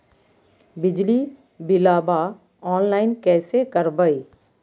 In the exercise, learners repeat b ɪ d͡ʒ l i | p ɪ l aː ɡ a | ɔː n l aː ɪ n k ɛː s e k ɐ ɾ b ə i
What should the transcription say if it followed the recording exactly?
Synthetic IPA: b ɪ d͡ʒ l i | b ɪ l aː b a | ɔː n l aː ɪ n k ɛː s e k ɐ ɾ b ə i